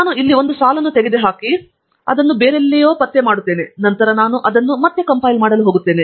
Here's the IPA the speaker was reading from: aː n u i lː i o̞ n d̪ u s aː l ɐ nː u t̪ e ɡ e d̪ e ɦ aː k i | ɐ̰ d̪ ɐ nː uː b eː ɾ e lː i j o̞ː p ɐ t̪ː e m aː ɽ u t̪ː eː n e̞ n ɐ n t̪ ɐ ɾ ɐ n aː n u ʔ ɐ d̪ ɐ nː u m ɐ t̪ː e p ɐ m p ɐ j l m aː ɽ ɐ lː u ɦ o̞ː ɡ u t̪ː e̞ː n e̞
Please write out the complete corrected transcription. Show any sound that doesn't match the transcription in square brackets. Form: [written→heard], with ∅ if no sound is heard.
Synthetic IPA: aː n u i lː i o̞ n d̪ u s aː l ɐ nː u t̪ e ɡ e d̪ e ɦ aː k i | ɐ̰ d̪ ɐ nː [uː→u] b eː ɾ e lː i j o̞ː p ɐ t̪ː e m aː ɽ u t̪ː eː n e̞ n ɐ n t̪ ɐ ɾ ɐ n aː n u ʔ ɐ d̪ ɐ nː u m ɐ t̪ː e [p→k] ɐ m p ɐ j l m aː ɽ ɐ [lː→l] u ɦ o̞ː ɡ u t̪ː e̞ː n e̞